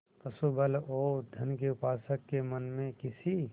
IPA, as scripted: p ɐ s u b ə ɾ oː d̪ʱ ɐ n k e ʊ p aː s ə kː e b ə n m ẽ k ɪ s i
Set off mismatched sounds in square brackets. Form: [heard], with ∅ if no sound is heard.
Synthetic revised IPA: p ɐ s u b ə [l] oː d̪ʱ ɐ n k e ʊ p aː s ə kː e [m] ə n m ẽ k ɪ s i